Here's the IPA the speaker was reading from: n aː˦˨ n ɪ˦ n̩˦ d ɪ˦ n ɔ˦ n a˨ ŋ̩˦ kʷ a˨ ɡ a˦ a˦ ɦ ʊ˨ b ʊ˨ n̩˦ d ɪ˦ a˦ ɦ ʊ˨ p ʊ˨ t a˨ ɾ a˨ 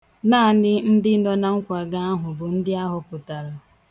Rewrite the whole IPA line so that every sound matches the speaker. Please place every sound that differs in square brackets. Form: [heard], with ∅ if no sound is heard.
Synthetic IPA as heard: n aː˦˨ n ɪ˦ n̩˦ d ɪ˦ n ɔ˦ n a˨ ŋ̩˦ kʷ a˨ ɡ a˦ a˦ ɦ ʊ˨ b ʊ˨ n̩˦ d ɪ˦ a˦ ɦ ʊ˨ p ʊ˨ t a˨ ɾ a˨

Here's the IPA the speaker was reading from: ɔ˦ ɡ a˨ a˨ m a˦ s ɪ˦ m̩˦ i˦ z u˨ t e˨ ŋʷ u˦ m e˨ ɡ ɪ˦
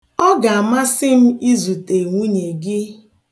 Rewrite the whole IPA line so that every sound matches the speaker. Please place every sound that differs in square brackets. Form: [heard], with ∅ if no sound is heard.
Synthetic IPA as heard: ɔ˦ ɡ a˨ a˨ m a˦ s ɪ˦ m̩˦ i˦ z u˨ t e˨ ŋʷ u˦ [ɲ] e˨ ɡ ɪ˦

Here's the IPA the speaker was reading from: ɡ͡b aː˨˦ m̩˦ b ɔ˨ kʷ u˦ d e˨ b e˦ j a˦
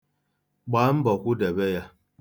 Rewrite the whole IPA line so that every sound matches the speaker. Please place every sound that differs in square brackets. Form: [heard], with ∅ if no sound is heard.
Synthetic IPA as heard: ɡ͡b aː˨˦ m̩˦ b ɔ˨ kʷ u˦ d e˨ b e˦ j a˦

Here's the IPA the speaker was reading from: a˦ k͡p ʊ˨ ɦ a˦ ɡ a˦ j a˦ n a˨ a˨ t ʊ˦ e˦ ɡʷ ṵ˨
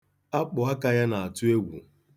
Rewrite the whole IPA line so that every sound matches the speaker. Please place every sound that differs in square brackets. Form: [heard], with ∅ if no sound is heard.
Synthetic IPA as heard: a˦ k͡p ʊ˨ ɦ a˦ [k] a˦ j a˦ n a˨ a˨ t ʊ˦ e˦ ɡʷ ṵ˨

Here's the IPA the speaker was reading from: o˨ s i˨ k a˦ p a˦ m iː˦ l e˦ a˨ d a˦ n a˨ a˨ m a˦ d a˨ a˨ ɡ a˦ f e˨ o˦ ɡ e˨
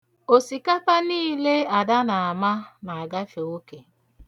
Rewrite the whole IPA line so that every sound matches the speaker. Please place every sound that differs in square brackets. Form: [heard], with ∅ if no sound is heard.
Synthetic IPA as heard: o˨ s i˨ k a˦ p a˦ [n] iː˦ l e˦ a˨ d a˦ n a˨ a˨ m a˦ [n] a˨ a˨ ɡ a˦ f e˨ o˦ [k] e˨

